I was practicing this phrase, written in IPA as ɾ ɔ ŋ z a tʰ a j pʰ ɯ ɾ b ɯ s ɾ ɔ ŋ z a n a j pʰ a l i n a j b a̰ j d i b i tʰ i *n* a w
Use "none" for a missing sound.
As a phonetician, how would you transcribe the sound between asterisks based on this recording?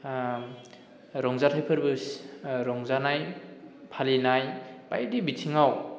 ŋ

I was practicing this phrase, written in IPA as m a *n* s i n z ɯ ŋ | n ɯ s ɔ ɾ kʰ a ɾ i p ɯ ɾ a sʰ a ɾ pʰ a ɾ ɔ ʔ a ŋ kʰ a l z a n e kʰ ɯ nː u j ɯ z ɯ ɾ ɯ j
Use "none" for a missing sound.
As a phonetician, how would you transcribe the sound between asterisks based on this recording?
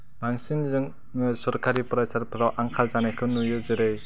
ŋ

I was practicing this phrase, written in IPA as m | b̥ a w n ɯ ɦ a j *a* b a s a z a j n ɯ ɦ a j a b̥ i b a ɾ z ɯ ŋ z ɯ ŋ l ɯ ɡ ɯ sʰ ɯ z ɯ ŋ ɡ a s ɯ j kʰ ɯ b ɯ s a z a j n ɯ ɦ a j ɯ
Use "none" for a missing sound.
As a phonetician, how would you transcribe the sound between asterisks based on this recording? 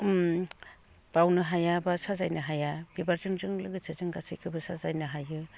a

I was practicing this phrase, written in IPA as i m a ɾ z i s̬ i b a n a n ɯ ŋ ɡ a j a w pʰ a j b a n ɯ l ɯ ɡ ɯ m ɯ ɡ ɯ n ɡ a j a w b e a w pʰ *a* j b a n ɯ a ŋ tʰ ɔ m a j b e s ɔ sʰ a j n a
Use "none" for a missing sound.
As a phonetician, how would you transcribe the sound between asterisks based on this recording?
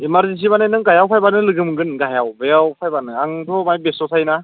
a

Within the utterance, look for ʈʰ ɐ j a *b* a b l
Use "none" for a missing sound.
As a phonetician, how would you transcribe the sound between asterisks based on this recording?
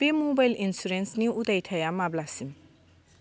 m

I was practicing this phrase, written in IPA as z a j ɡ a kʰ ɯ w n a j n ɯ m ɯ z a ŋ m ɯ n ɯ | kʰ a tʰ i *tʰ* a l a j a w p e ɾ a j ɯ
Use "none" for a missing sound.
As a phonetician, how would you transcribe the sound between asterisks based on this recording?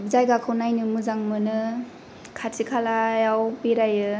kʰ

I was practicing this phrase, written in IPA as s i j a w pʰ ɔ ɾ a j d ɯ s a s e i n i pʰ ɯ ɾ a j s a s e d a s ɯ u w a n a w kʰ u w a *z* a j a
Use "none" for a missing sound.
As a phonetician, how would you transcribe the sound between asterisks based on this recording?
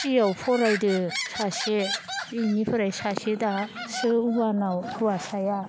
s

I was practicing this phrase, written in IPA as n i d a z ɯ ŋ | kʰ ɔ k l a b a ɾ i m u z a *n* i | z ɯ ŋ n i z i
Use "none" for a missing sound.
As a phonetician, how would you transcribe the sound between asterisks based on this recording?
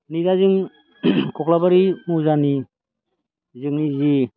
n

